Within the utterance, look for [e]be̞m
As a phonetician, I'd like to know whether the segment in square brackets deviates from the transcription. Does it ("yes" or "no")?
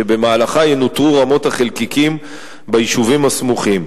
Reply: no